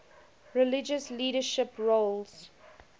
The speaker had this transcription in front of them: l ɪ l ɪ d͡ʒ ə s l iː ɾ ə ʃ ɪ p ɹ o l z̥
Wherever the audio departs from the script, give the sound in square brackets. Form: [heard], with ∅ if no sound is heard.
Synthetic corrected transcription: [ɹ] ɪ l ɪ d͡ʒ ə s l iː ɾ ə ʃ ɪ p ɹ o l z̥